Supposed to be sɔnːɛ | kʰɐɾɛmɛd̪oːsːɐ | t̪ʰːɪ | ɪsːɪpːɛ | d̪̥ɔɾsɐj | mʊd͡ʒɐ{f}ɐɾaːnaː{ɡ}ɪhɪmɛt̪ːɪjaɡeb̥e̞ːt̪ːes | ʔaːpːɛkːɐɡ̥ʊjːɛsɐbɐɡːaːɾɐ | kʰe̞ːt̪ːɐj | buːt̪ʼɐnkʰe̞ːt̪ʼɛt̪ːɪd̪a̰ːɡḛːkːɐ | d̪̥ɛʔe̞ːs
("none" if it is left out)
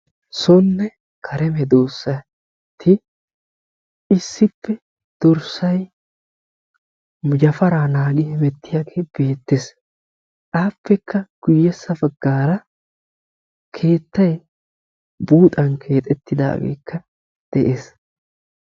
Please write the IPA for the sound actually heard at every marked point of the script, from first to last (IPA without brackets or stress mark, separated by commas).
f, ɡ